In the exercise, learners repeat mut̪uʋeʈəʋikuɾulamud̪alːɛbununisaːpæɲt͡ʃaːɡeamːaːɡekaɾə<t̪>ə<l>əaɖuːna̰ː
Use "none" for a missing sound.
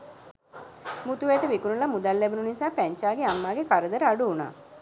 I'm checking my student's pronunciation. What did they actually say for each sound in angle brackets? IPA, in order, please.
d̪, ɾ

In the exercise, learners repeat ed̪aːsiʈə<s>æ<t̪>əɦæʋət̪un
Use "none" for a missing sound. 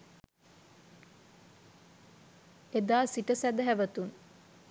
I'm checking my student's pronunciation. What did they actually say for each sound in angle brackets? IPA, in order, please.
s, d̪

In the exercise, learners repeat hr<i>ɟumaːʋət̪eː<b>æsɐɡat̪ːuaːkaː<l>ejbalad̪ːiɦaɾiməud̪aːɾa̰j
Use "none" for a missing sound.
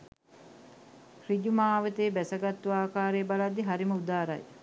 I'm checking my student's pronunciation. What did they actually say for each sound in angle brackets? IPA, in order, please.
i, b, ɾ

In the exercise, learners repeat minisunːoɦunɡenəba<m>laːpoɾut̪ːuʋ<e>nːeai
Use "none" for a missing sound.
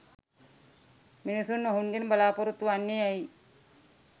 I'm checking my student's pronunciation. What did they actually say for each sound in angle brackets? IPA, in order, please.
none, a

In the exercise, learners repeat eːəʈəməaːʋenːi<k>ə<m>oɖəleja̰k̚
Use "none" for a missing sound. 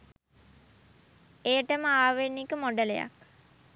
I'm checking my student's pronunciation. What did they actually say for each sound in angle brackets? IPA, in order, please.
k, m

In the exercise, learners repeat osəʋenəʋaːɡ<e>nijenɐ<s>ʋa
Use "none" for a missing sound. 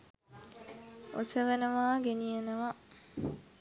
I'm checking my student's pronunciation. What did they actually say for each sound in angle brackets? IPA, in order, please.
e, none

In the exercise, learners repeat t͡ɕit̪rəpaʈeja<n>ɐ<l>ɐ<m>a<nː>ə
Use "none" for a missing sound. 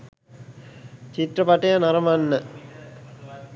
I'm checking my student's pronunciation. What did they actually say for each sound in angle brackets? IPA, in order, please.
n, ɾ, m, nː

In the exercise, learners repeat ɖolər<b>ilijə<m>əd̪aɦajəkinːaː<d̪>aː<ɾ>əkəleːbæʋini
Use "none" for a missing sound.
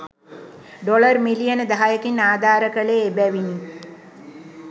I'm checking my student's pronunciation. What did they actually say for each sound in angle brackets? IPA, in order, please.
m, n, d̪, ɾ

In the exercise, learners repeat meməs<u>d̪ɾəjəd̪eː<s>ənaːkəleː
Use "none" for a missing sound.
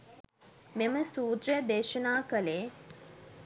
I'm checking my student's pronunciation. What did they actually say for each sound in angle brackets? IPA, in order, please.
uː, ʃ

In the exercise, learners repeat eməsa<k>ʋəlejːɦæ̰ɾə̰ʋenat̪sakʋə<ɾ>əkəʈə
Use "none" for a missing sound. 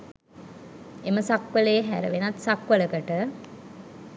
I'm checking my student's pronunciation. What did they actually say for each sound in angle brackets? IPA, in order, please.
k, l

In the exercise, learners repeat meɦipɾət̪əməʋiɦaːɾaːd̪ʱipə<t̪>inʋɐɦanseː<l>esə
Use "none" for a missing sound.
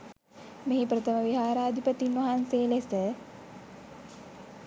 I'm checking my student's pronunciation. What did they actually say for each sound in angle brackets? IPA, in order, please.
t̪, l

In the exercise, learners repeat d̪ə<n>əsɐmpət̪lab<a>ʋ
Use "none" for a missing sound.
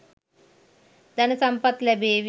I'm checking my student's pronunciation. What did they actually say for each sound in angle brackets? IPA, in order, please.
n, e

